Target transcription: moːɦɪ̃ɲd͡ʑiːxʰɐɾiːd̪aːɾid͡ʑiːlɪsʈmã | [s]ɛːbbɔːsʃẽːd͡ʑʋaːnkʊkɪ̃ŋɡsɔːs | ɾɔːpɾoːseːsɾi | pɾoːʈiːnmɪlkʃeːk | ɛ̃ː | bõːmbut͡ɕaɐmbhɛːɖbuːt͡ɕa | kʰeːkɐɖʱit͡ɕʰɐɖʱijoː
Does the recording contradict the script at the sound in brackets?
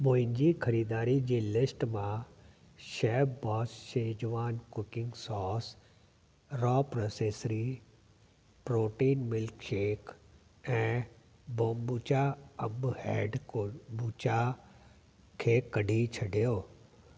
yes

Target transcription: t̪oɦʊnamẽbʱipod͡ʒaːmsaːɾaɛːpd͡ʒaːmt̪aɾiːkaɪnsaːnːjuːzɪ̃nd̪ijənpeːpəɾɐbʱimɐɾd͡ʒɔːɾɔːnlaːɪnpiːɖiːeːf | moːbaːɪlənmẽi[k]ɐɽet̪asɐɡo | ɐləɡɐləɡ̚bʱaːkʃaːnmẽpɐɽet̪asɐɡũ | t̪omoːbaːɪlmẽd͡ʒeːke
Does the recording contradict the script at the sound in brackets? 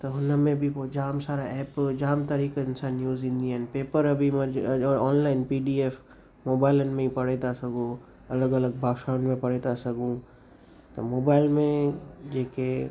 yes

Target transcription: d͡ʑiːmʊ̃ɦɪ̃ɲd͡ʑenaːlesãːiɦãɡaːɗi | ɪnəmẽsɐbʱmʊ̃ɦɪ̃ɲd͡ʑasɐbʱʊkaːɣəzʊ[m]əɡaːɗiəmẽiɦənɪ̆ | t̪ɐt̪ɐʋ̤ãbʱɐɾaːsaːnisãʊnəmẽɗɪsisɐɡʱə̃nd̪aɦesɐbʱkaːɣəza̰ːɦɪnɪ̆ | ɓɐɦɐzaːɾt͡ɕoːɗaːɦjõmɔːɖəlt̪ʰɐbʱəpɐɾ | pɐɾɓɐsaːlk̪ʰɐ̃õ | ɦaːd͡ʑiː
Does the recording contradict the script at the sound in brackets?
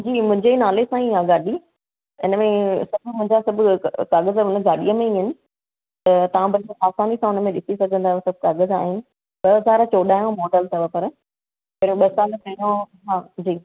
yes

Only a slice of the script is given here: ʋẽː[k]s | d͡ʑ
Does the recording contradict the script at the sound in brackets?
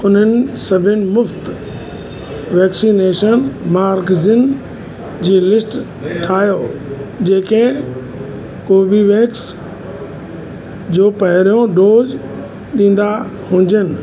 no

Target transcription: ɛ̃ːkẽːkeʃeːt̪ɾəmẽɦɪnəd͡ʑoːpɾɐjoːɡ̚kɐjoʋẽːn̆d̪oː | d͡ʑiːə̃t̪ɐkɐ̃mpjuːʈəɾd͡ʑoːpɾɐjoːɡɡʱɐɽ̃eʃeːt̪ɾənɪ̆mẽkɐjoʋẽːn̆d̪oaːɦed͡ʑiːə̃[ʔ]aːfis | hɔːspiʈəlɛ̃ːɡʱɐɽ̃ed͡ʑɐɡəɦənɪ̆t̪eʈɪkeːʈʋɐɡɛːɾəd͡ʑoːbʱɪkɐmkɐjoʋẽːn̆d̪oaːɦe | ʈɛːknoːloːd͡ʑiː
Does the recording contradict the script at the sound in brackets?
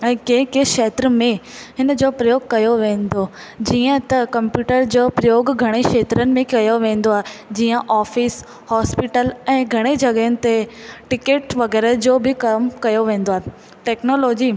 no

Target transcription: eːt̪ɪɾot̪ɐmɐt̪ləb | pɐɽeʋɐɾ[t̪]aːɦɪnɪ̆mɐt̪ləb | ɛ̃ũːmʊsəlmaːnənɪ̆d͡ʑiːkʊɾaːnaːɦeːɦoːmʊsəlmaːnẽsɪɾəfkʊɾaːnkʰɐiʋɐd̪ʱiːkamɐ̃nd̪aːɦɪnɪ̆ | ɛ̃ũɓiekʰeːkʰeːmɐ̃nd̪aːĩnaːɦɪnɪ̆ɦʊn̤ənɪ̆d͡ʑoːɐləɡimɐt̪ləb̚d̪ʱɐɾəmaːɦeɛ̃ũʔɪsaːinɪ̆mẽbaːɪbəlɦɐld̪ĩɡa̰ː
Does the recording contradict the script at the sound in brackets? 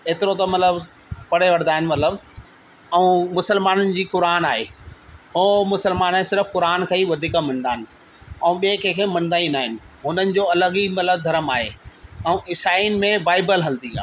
yes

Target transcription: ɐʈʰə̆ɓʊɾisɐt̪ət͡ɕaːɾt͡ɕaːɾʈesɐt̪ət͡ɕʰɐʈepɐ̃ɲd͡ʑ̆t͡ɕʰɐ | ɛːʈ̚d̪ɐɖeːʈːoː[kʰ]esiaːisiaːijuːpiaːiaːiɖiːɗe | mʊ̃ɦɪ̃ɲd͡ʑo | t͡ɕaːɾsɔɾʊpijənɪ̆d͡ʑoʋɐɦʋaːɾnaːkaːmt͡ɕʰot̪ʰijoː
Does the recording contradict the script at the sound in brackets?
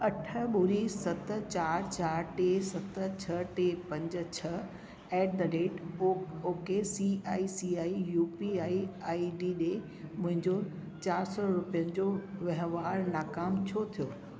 yes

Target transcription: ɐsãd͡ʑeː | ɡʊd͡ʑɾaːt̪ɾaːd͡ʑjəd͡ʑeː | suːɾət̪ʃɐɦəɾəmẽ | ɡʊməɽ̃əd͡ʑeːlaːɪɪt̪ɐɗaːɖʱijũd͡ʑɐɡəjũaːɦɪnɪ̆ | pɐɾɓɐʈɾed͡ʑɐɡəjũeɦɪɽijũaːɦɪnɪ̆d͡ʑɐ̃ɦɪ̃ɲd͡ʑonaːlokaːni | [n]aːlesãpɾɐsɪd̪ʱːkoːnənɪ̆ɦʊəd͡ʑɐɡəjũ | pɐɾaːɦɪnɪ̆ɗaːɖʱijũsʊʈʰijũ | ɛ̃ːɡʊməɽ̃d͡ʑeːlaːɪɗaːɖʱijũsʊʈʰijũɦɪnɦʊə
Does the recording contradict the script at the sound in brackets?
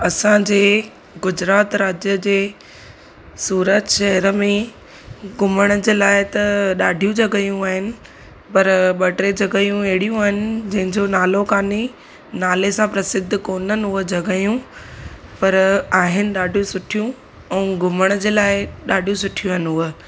no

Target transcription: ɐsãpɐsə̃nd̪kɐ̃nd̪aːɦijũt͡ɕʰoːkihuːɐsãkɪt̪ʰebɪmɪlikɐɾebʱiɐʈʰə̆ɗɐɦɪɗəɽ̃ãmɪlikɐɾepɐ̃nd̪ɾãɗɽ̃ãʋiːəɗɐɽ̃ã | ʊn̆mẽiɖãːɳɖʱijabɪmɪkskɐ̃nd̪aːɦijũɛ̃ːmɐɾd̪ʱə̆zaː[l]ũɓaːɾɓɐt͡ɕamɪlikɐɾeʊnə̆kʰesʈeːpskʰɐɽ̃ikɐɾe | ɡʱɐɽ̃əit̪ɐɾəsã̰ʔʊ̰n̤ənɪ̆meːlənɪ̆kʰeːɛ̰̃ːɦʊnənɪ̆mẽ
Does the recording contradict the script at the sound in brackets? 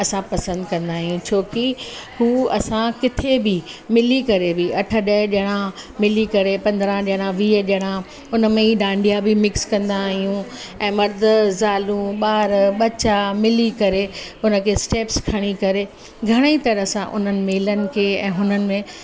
no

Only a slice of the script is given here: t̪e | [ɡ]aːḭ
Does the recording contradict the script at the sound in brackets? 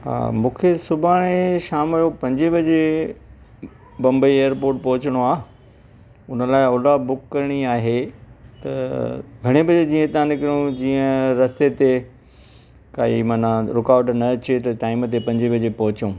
yes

